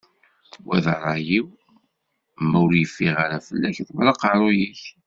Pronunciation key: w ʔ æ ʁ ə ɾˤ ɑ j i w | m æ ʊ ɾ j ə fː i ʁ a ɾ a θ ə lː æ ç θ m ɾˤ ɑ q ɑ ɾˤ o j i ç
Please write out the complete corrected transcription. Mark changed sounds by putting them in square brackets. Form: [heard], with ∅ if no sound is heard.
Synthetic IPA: w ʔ æ [ð] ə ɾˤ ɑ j i w | m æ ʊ ɾ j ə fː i ʁ a ɾ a [f] ə lː æ ç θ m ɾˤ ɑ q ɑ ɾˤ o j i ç